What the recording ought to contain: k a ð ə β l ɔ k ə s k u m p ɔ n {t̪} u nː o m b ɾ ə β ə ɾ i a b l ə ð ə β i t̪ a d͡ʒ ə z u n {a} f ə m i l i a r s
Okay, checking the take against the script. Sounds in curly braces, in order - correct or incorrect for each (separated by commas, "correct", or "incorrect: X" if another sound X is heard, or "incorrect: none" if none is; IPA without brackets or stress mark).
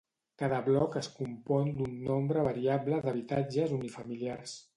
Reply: incorrect: d̪, incorrect: i